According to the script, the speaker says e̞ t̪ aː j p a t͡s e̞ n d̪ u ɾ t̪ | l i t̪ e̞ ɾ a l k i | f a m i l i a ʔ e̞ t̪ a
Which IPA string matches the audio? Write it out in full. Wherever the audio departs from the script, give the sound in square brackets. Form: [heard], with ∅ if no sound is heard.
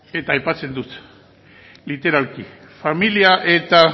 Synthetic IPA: e̞ t̪ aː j p a t͡s e̞ n d̪ u [∅] t̪ | l i t̪ e̞ ɾ a l k i | f a m i l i a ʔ e̞ t̪ a